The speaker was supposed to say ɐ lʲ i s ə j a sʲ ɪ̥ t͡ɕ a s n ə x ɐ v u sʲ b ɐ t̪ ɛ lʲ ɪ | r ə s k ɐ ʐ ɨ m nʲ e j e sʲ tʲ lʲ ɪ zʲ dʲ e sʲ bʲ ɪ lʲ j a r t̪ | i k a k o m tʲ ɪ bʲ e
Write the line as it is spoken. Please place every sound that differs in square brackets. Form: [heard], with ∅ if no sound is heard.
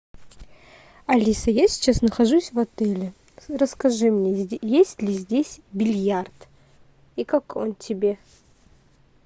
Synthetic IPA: ɐ lʲ i s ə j a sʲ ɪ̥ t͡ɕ a s n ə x ɐ [ʐ] u sʲ [v] ɐ t̪ ɛ lʲ ɪ | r ə s k ɐ ʐ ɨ m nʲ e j e sʲ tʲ lʲ ɪ zʲ dʲ e sʲ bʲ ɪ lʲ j a r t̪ | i k a k o [n] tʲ ɪ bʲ e